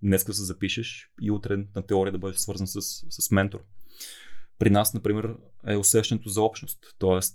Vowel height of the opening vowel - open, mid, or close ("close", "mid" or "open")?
mid